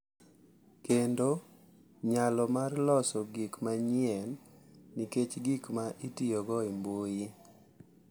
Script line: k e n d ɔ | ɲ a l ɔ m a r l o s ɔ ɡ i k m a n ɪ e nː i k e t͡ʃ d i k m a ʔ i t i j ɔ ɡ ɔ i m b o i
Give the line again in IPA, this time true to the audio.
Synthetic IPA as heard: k e n d o | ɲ a l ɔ m a r l ɔ s ɔ ɡ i k m a ɲ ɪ ɛ nː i k e t͡ʃ ɡ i k m a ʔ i t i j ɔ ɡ ɔ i m b o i